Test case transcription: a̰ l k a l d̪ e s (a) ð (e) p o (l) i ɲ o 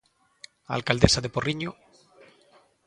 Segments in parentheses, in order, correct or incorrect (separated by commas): correct, correct, incorrect